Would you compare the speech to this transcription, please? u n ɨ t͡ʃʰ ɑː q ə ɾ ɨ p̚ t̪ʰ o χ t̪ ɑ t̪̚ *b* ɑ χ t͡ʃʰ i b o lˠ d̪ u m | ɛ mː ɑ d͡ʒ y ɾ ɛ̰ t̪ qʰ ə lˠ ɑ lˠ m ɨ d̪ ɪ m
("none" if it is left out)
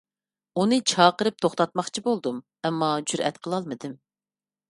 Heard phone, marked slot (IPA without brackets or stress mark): m